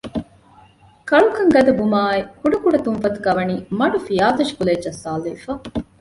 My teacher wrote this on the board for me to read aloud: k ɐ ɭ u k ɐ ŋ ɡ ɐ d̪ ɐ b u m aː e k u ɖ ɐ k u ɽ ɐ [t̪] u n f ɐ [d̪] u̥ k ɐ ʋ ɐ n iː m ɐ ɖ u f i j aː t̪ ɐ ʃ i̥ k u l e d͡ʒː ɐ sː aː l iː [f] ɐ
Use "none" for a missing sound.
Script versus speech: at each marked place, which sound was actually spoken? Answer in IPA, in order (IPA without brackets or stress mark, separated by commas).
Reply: t̪, t̪, f